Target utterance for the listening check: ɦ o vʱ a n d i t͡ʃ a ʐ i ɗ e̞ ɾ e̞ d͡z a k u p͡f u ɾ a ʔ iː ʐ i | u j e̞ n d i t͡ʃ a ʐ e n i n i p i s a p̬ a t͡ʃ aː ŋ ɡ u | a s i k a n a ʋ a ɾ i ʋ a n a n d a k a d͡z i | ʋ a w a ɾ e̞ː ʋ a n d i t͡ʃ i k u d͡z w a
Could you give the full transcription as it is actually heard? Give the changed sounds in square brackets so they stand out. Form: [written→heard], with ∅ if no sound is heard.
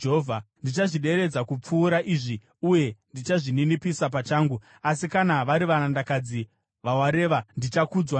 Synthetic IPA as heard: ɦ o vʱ a n d i t͡ʃ a ʐ i ɗ e̞ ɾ e̞ d͡z a k u p͡f [u→uː] ɾ a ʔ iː ʐ i | u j e̞ n d i t͡ʃ a ʐ [e→i] n i n i p i s a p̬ a t͡ʃ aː ŋ ɡ u | a s i k a n a ʋ a ɾ i ʋ a n a n d a k a d͡z i | ʋ a w a ɾ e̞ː ʋ a n d i t͡ʃ [i→a] k u d͡z w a